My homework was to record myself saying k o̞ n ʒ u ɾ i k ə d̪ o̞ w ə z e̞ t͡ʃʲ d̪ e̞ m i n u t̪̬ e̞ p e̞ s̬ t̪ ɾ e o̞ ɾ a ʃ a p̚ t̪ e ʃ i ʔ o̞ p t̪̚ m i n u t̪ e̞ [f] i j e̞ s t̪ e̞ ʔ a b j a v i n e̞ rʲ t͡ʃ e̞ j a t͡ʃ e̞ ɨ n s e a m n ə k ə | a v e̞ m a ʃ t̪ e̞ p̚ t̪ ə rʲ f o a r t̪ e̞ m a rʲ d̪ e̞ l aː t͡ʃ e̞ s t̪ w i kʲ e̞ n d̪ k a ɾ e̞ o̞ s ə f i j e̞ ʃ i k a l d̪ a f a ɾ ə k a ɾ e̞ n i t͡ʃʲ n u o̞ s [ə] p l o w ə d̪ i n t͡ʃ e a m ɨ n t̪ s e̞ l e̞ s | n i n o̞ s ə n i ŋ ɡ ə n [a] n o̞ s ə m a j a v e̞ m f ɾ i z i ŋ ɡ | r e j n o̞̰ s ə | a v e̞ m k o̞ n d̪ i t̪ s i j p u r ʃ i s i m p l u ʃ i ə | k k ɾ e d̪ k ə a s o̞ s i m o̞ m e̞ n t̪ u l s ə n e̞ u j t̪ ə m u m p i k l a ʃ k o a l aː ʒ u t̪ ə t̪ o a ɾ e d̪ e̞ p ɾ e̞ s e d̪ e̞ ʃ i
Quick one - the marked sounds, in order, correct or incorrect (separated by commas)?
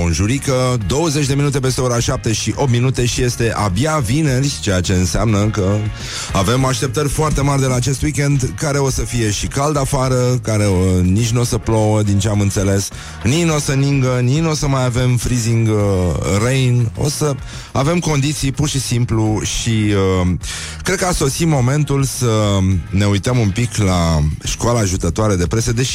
incorrect, correct, incorrect